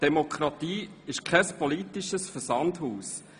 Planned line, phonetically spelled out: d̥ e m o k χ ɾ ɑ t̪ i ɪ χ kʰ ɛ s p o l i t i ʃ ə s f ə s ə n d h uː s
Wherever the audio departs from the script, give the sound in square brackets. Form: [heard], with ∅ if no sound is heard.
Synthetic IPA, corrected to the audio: d̥ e m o k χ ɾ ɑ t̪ [iː] ɪ [ʃ] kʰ ɛ s p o l i t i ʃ ə s f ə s [ɑ] n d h uː s

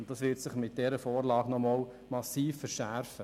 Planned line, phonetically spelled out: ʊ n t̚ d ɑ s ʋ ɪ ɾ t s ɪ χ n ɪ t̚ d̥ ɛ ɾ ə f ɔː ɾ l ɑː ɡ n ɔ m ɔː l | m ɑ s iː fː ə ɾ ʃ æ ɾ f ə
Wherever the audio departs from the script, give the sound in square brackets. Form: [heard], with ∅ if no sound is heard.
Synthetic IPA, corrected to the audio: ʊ n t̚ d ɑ s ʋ ɪ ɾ t s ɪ χ [m] ɪ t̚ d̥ ɛ ɾ ə f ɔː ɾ l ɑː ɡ n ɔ m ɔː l | m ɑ s iː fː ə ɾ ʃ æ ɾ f ə

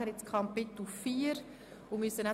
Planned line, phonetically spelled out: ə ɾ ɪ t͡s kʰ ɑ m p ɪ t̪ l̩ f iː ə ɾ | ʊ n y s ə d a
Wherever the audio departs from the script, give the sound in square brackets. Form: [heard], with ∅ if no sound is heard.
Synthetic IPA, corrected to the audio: ə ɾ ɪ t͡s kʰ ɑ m p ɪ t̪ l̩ f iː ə ɾ | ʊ [m] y s ə [n] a

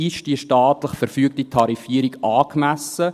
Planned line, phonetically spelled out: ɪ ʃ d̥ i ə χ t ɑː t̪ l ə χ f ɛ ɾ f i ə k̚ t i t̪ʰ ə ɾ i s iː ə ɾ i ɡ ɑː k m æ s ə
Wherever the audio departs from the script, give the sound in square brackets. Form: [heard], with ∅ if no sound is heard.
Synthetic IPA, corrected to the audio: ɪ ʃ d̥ i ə [ʃ] t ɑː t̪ l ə χ f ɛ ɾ f [y] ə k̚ t i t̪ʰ [ɑ] ɾ i [f] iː ə ɾ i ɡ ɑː k m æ s ə

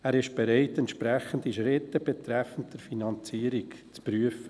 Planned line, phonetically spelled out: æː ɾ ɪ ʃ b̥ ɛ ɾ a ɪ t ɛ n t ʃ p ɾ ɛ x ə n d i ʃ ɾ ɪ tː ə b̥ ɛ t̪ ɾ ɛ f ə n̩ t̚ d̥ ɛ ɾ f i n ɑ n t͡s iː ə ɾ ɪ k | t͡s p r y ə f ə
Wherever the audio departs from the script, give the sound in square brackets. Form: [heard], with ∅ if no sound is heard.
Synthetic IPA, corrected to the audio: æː ɾ ɪ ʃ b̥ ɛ ɾ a ɪ t ɛ n t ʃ p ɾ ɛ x ə n d i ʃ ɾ ɪ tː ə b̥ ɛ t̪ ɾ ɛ f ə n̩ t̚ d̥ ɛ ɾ f i n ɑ n t͡s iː ə ɾ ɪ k | t͡s p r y ə f ə

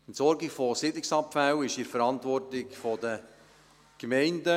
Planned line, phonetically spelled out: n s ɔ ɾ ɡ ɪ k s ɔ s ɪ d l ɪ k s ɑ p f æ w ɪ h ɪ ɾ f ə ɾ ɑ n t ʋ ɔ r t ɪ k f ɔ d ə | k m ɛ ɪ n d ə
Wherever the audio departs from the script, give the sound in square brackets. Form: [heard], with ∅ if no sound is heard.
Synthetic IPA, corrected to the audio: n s ɔ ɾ ɡ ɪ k [f] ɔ s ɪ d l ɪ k s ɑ p f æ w ɪ [ʃ] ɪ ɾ f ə ɾ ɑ n t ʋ ɔ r t ɪ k f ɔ d ə | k m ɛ ɪ n d ə

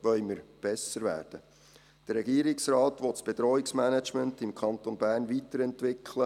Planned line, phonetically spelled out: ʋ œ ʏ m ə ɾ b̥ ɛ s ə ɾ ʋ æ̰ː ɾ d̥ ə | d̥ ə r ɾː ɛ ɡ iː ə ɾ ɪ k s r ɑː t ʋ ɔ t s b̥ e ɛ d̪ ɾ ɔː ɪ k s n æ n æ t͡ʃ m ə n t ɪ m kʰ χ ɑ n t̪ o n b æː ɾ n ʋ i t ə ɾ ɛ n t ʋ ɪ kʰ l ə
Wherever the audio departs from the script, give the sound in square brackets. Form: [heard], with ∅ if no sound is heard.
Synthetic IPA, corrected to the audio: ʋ œ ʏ m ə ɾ b̥ ɛ s ə ɾ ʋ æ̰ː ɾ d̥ ə | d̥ ə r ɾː ɛ ɡ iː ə ɾ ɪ k s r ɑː t ʋ ɔ t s b̥ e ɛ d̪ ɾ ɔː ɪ k s [m] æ n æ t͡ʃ m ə n t ɪ m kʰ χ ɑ n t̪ o n b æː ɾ n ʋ i t ə ɾ ɛ n t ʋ ɪ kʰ l ə

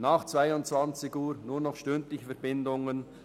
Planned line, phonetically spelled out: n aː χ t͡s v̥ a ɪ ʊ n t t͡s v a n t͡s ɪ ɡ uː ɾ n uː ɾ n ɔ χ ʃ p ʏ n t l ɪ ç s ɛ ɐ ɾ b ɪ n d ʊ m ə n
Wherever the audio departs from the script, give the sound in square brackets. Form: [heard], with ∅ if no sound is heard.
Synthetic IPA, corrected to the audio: n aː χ t͡s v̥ a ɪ ʊ n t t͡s v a n t͡s ɪ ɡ uː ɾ n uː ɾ n ɔ χ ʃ [t] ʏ n t l ɪ ç [f] ɛ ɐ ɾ b ɪ n d ʊ [ŋ] ə n

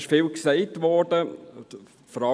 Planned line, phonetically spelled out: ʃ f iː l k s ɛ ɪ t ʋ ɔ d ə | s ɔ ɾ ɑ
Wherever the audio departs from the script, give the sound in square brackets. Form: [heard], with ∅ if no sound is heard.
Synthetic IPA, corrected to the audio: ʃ f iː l k s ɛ ɪ t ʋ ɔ d ə | [f] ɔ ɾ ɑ

